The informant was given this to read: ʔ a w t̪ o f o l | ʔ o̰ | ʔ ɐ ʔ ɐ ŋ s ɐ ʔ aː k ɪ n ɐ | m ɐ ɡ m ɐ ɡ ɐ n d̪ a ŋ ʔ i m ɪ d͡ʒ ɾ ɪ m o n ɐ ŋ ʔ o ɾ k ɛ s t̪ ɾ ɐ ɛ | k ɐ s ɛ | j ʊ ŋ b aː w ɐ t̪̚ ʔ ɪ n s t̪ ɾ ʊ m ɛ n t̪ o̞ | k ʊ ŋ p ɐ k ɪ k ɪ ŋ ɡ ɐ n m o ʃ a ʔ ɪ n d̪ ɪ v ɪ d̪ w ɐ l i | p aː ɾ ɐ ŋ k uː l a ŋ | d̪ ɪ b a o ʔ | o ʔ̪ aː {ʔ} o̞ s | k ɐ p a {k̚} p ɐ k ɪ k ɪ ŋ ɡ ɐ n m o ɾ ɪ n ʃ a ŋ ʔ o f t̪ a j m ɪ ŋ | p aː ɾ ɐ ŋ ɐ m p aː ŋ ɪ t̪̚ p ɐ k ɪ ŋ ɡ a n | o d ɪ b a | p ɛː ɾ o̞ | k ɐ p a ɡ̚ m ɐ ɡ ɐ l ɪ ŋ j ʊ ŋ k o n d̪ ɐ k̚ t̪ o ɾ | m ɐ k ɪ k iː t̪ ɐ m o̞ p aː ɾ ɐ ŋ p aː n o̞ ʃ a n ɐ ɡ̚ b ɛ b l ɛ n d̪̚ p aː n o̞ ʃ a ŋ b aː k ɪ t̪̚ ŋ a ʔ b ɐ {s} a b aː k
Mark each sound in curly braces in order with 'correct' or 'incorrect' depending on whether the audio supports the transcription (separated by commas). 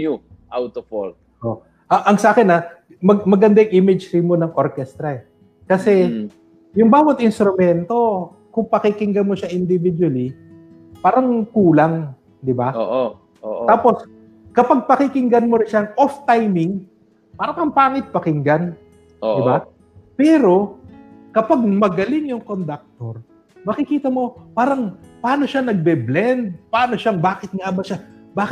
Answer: incorrect, incorrect, incorrect